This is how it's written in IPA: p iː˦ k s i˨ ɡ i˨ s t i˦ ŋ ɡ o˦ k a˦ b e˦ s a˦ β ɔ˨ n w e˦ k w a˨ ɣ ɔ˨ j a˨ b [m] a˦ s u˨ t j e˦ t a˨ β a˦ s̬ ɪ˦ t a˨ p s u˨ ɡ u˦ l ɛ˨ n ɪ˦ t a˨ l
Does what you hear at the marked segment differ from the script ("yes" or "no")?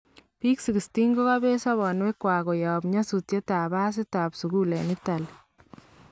yes